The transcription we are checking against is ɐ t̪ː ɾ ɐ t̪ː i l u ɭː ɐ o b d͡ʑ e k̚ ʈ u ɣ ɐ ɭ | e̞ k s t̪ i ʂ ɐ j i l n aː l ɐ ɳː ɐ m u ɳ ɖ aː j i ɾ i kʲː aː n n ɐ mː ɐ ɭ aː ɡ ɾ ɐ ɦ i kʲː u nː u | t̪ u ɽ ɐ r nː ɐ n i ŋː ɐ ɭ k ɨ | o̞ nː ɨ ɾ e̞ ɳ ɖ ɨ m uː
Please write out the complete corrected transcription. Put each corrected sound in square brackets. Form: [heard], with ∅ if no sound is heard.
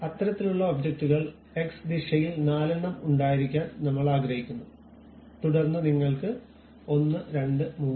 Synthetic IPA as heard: ɐ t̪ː ɾ ɐ t̪ː i l u ɭː ɐ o b d͡ʑ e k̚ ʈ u ɣ ɐ ɭ | e̞ k s [d̪] i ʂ ɐ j i l n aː l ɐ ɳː ɐ m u ɳ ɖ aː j i ɾ i kʲː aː n n ɐ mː ɐ ɭ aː ɡ ɾ ɐ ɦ i kʲː u nː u | t̪ u ɽ ɐ r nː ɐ n i ŋː ɐ ɭ k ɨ | o̞ nː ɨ ɾ e̞ ɳ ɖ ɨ m uː